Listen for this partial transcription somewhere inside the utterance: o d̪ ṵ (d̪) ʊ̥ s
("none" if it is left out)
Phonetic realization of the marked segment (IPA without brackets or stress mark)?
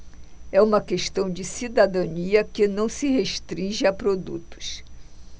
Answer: t̪